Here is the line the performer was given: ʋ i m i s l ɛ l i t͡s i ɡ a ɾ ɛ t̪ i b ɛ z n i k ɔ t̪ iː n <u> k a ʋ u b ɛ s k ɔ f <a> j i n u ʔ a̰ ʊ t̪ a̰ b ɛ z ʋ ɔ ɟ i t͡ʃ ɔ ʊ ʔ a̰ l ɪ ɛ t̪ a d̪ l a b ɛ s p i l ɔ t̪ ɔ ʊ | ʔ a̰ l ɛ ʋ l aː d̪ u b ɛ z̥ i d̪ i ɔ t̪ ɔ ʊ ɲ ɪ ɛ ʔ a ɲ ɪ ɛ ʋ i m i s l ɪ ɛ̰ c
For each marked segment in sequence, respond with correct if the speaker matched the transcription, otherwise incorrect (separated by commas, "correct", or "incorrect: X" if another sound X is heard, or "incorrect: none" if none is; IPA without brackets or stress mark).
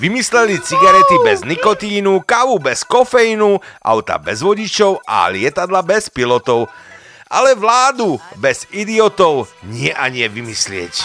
correct, incorrect: ɛ